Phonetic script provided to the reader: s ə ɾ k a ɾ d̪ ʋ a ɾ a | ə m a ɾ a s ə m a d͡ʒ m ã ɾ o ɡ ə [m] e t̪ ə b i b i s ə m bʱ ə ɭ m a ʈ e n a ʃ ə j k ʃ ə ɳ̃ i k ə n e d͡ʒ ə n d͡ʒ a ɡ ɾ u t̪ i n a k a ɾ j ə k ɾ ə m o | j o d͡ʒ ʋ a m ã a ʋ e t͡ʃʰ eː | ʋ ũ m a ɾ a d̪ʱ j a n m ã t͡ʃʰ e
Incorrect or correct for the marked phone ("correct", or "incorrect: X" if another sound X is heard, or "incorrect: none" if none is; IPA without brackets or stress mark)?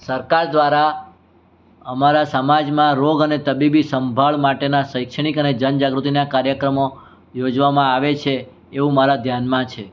incorrect: n